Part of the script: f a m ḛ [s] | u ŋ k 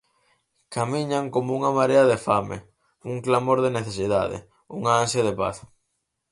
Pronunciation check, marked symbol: incorrect: none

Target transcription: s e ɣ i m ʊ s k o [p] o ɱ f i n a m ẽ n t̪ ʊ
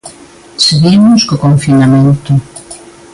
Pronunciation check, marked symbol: incorrect: k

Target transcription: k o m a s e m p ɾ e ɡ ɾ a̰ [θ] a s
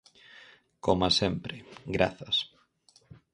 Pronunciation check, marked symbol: correct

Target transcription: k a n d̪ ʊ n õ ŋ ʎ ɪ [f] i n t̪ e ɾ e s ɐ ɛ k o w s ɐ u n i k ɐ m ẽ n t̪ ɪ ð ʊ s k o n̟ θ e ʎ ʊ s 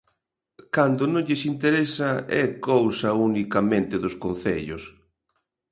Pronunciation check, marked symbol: incorrect: s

